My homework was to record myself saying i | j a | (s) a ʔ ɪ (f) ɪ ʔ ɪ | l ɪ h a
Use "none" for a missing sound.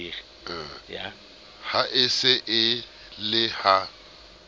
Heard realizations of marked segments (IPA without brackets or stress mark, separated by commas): h, s